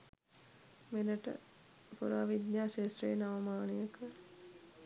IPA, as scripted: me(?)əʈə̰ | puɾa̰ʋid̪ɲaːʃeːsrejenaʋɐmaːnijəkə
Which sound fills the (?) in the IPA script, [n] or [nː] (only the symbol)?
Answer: n